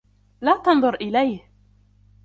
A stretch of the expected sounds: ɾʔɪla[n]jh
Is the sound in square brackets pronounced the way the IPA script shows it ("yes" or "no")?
no